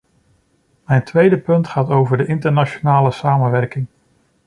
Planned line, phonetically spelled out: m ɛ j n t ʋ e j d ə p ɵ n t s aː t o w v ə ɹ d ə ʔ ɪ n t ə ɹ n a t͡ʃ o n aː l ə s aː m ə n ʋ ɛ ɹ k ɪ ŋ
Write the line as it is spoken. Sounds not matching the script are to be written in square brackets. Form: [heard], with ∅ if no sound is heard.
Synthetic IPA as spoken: m ɛ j n t ʋ e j d ə p ɵ n t [χ] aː t o w v ə ɹ d ə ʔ ɪ n t ə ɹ n a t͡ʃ o n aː l ə s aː m ə n ʋ ɛ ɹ k ɪ ŋ